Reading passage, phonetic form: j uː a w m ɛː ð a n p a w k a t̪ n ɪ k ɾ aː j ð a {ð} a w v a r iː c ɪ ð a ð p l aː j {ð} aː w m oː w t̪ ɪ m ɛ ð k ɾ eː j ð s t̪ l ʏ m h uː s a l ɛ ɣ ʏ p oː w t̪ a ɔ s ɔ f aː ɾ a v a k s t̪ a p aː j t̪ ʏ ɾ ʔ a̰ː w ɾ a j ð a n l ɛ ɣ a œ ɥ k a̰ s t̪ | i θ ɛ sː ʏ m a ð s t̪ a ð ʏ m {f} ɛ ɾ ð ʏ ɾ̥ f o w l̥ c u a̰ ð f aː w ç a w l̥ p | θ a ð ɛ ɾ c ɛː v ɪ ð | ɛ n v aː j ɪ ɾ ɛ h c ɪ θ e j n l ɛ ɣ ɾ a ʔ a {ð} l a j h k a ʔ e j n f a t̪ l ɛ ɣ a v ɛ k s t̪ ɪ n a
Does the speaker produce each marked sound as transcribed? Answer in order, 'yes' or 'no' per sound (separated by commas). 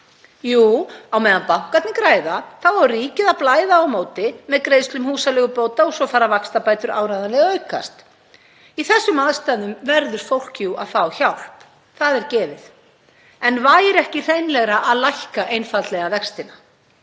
no, yes, no, yes